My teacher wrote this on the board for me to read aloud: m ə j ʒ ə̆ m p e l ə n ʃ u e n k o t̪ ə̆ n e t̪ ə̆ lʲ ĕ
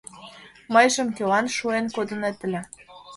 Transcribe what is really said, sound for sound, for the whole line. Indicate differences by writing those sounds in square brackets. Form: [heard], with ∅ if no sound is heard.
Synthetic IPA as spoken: m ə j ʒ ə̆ m [k] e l [ɑ] n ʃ u e n k o [d̪] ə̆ n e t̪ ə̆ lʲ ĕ